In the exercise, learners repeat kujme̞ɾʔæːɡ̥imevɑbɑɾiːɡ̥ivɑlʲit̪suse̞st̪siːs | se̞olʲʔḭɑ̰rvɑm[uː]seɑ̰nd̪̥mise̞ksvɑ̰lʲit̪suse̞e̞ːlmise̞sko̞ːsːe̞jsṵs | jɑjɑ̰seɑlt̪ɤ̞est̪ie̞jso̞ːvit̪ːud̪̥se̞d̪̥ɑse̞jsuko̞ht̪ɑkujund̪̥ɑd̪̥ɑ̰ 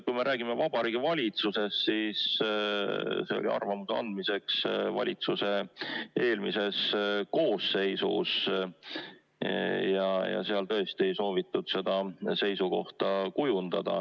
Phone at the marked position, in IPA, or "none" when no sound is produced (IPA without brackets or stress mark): u